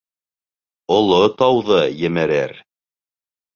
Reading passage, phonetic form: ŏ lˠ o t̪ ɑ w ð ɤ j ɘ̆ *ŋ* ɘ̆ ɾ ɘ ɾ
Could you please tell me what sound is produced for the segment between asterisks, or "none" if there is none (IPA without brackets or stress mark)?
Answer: m